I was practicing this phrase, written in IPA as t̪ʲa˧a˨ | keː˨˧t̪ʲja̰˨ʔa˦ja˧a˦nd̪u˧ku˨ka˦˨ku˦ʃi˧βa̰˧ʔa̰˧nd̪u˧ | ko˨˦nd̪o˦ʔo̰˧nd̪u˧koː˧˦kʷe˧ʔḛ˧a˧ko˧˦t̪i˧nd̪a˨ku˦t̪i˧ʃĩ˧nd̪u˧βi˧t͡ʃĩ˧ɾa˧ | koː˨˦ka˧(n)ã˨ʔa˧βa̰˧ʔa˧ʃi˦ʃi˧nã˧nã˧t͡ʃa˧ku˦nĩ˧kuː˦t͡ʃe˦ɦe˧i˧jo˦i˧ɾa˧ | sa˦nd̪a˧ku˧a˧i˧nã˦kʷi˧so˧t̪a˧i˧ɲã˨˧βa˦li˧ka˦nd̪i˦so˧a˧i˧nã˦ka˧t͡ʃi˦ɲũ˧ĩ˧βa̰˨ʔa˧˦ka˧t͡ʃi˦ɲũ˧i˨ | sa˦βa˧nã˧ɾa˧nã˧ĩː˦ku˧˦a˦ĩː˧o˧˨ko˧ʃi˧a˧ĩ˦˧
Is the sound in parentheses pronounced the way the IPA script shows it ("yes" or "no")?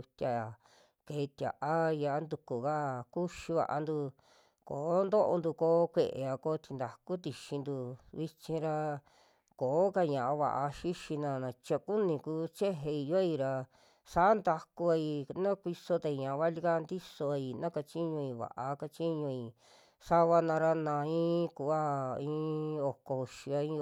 no